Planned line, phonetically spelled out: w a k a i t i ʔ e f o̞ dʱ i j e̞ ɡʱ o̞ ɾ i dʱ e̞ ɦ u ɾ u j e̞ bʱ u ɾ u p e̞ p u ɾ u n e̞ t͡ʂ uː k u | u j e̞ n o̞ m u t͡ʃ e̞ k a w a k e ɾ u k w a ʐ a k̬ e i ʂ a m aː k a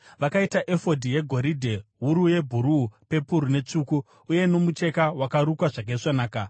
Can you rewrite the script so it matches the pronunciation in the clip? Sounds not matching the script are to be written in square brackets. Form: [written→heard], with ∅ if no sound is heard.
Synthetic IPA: [w→ʋ] a k a i t [i→a] ʔ e f o̞ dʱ i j e̞ ɡʱ o̞ ɾ i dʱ e̞ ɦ u ɾ u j e̞ bʱ u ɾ u p e̞ p u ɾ u n e̞ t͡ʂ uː k u | u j e̞ n o̞ m u t͡ʃ e̞ k a w a k [e→a] ɾ u k w a ʐ a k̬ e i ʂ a [m→n] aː k a